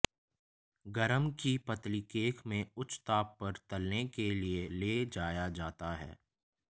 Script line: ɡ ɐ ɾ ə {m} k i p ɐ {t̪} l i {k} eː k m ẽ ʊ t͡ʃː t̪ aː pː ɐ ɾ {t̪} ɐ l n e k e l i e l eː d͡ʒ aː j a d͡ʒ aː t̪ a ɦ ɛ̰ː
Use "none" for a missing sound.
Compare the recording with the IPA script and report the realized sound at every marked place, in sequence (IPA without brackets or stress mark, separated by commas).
m, t̪, k, t̪